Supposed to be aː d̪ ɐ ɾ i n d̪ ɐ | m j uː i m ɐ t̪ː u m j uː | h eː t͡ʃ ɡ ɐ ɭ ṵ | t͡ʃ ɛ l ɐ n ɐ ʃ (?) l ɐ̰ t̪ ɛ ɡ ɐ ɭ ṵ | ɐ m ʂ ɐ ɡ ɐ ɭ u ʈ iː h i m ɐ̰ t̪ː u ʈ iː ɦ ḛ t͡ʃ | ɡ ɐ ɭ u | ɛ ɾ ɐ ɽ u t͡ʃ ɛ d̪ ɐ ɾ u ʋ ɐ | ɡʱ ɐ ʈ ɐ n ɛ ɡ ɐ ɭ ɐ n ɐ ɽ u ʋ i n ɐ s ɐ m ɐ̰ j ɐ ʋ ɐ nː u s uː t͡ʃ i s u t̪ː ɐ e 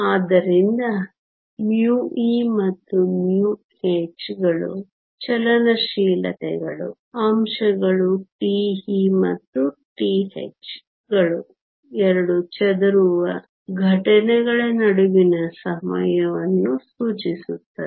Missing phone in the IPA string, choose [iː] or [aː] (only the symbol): iː